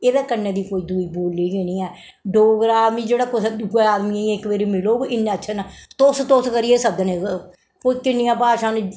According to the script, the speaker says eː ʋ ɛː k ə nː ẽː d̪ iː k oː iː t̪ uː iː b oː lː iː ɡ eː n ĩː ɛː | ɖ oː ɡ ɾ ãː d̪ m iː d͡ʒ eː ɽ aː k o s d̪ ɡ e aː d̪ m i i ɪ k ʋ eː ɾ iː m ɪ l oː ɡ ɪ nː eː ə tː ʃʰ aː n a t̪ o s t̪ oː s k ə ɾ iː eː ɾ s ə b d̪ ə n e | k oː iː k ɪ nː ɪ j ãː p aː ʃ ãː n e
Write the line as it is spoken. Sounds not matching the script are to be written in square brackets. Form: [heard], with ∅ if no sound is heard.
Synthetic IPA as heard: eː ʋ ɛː k ə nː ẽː d̪ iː k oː iː [d̪] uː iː b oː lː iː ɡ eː n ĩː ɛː | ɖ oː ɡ ɾ [aː] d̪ m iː d͡ʒ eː ɽ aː k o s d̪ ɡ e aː d̪ m i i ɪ k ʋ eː ɾ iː m ɪ l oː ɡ ɪ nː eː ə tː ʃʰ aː n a t̪ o s t̪ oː s k ə ɾ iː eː [∅] s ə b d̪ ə n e | k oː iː k ɪ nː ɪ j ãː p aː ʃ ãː n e